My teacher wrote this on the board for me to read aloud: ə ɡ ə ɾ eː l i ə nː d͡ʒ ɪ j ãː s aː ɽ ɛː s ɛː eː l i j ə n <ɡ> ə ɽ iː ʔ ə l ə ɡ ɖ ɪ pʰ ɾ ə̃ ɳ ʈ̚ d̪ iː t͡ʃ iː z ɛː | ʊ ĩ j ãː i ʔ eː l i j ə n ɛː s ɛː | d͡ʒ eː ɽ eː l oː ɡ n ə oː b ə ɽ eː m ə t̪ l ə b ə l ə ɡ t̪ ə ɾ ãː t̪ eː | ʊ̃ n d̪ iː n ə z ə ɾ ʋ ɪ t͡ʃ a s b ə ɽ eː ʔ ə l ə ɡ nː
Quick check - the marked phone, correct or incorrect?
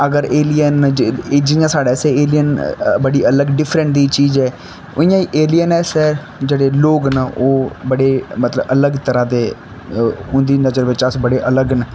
incorrect